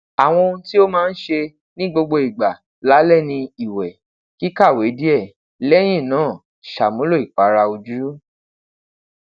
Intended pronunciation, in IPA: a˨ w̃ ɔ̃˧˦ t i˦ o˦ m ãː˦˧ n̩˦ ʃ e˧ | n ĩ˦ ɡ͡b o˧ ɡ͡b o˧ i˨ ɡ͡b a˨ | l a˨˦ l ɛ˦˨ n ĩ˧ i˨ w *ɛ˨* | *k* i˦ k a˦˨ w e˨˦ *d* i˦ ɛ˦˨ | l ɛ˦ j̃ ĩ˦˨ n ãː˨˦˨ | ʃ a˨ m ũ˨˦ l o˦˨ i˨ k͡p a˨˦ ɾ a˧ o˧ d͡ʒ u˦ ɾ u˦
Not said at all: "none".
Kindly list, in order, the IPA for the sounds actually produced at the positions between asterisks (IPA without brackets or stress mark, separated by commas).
ɛ˨, k, d